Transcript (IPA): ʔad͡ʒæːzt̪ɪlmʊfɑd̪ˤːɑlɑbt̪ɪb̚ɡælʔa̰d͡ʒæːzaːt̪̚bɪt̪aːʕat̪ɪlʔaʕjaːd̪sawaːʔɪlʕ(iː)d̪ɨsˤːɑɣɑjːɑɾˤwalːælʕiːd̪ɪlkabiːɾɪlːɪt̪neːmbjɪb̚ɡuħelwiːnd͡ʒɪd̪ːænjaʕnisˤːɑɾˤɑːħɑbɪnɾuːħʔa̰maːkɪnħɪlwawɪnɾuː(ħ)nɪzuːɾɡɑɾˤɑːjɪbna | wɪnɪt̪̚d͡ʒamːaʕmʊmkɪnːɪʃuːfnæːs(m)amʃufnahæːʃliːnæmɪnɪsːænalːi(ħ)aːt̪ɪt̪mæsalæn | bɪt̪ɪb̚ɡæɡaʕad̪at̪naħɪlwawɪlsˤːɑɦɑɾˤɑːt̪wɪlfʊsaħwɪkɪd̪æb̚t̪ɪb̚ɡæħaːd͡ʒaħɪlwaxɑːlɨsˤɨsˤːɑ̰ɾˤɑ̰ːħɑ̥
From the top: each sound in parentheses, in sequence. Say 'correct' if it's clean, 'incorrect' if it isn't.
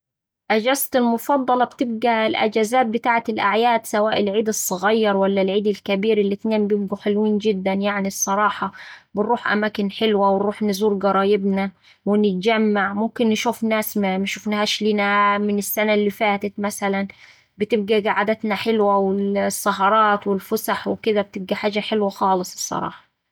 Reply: correct, correct, correct, incorrect

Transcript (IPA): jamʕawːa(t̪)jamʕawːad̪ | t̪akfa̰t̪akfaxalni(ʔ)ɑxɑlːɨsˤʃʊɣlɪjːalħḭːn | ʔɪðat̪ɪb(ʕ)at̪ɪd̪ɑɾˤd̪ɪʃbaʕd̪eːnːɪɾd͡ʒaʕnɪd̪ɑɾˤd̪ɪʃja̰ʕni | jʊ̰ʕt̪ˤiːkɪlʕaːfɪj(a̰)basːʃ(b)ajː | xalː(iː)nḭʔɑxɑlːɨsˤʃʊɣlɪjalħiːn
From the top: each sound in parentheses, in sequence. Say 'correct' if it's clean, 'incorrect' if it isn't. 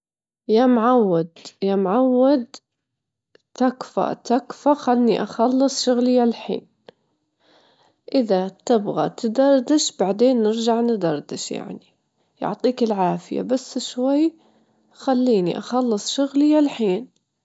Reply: incorrect, correct, incorrect, correct, incorrect, correct

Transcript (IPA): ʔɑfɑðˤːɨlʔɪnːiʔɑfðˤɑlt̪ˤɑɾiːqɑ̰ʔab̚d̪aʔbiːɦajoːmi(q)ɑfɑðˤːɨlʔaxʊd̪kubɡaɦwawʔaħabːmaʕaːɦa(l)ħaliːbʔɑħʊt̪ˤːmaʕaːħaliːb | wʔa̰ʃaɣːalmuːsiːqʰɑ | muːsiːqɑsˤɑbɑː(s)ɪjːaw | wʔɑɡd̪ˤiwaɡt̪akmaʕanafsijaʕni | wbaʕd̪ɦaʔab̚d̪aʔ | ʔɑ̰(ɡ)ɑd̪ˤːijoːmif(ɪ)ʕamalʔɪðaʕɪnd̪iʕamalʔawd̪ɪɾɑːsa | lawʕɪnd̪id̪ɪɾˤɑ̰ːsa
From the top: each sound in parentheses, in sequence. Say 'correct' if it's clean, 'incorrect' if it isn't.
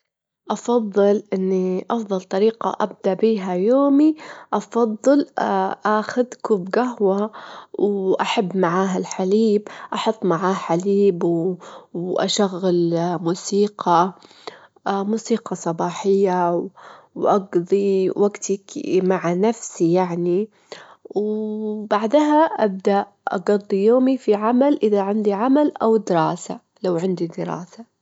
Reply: incorrect, correct, incorrect, correct, incorrect

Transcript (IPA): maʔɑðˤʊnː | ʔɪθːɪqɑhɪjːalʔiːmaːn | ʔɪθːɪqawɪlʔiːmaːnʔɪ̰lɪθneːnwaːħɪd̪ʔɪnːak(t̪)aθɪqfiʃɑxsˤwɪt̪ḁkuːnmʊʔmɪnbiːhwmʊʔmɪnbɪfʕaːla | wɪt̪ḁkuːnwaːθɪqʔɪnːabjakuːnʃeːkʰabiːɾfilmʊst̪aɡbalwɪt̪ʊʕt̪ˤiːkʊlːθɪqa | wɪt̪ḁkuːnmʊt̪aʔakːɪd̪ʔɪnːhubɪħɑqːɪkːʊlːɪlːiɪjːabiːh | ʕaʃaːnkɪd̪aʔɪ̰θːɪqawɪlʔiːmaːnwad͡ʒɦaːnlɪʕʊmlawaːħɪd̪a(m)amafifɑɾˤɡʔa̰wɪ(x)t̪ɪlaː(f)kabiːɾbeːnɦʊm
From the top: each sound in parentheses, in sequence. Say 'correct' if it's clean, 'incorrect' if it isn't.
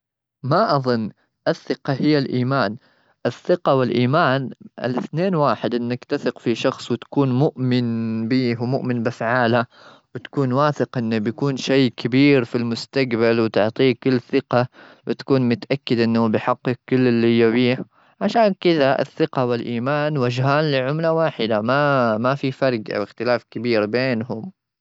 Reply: correct, correct, correct, correct

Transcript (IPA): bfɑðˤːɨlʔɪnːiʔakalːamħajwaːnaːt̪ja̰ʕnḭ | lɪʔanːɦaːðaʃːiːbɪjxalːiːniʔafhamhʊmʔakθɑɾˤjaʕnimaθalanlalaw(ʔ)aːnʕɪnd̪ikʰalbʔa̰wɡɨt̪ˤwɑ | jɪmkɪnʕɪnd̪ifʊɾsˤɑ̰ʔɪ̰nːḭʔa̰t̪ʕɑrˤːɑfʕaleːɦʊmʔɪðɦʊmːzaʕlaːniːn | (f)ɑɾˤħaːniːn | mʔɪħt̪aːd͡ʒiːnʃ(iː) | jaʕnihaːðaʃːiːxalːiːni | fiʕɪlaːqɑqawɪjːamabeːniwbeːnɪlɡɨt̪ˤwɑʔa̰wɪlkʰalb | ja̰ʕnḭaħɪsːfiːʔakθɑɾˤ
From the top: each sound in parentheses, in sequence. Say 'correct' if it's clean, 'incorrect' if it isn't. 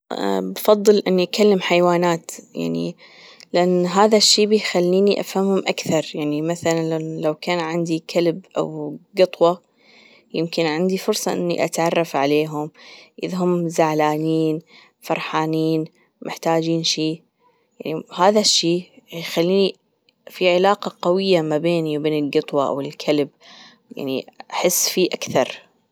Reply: incorrect, correct, correct

